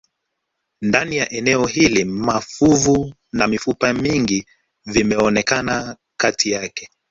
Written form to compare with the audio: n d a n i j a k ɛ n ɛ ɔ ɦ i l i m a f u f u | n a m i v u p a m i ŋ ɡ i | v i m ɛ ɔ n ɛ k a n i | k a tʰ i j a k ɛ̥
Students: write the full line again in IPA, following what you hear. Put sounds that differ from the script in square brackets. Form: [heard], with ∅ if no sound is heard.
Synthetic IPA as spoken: n d a n i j a [ʔ] ɛ n ɛ ɔ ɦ i l i m a f u [v] u | n a m i [f] u p a m i ŋ ɡ i | v i m ɛ ɔ n ɛ k a n [a] | k a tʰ i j a k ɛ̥